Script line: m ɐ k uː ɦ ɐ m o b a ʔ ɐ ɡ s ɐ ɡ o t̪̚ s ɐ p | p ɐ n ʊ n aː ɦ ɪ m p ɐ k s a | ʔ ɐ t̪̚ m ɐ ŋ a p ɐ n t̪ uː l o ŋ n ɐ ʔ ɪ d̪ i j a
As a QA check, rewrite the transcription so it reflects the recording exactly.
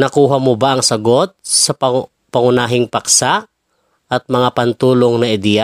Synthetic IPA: n ɐ k uː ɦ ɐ m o b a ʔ ɐ ŋ s ɐ ɡ o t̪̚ s ɐ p | p ɐ ŋ ʊ n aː ɦ ɪ ŋ p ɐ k s a | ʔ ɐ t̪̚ m ɐ ŋ a p ɐ n t̪ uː l o ŋ n ɐ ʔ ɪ d̪ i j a